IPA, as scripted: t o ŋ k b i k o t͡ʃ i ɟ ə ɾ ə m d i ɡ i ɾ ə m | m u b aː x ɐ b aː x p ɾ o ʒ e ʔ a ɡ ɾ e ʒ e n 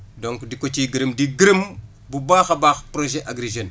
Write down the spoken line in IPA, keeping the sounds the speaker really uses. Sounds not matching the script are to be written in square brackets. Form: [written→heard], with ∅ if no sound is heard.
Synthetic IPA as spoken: [t→d] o ŋ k [b→d] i k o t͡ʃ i [ɟ→ɡ] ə ɾ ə m d i ɡ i ɾ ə m | [m→b] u b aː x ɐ b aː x p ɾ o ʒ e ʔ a ɡ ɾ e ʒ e n